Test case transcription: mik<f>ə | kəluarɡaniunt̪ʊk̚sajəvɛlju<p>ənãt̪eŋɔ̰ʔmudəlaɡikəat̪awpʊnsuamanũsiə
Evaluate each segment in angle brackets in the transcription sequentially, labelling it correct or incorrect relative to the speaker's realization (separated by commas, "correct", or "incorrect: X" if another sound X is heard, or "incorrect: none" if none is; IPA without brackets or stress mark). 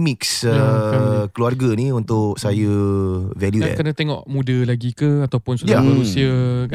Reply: incorrect: s, incorrect: k